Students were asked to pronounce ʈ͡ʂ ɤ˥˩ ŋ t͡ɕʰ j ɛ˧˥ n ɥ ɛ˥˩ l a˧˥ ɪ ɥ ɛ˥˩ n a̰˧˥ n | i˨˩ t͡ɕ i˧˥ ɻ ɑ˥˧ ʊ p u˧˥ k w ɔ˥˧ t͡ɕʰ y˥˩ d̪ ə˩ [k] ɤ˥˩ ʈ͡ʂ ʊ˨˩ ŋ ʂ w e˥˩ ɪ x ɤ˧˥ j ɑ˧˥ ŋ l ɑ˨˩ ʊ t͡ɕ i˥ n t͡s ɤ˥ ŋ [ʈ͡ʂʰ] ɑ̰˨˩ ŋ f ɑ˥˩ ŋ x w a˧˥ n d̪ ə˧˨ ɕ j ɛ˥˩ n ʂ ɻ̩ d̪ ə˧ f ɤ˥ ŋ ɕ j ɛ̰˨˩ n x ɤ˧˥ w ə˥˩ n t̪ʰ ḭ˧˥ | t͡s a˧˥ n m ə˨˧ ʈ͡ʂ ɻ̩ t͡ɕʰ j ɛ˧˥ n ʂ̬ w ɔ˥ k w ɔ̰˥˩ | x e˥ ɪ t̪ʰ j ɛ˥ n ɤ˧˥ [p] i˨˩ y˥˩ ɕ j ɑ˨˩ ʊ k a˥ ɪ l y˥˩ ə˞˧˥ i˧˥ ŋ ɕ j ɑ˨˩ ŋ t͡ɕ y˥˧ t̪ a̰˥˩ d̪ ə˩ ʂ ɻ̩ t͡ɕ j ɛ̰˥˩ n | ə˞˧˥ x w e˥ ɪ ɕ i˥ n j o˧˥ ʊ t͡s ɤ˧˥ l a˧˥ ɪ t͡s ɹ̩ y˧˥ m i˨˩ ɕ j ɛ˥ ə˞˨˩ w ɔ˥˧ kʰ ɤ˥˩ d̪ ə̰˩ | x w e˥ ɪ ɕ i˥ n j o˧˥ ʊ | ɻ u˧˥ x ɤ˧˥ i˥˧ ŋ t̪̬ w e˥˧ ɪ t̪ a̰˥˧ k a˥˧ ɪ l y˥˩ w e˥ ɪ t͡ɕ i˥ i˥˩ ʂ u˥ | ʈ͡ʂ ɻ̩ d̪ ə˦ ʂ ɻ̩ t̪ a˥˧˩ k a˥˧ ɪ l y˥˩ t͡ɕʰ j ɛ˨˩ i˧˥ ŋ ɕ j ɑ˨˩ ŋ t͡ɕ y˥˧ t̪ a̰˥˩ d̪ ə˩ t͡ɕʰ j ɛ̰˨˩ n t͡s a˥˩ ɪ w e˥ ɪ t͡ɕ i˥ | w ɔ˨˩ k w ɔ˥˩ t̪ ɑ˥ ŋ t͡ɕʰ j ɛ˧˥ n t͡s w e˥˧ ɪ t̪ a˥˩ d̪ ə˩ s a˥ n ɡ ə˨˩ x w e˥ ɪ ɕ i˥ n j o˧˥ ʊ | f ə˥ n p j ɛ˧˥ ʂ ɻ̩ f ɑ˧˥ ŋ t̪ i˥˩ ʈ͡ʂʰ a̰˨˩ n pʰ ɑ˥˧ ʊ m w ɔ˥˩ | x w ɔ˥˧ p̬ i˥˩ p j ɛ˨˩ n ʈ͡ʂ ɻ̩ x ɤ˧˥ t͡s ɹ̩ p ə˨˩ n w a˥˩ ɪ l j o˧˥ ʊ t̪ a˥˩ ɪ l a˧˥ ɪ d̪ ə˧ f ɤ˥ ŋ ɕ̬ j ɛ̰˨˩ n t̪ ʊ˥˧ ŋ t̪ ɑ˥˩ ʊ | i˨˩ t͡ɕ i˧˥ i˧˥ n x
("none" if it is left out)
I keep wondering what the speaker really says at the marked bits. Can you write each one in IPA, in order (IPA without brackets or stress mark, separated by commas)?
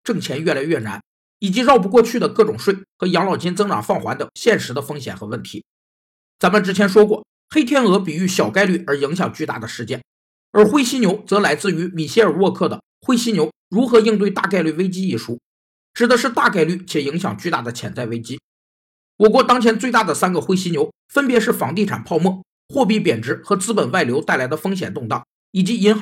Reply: k, ʈ͡ʂ, p